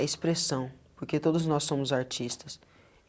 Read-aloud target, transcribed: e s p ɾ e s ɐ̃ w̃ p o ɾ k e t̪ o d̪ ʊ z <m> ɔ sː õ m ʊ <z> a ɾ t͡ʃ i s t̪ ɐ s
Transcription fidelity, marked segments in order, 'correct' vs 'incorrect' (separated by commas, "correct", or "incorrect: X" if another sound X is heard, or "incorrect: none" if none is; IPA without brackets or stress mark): incorrect: n, correct